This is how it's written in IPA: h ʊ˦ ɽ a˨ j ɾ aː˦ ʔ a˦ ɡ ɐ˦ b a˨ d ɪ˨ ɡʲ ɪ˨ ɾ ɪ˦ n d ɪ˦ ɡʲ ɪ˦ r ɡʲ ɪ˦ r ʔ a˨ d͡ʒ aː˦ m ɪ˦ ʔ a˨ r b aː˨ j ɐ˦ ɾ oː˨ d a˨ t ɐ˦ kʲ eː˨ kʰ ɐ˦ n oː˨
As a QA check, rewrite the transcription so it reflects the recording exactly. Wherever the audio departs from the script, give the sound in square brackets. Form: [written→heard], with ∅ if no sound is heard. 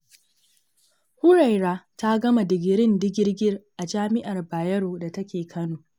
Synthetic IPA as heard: h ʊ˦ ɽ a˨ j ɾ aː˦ [ʔ→t] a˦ ɡ ɐ˦ [b→m] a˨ d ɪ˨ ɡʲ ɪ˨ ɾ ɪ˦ n d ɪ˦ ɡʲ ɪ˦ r ɡʲ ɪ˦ r ʔ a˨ d͡ʒ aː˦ m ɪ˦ ʔ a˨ r b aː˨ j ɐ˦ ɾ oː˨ d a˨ t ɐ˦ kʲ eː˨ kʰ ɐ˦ n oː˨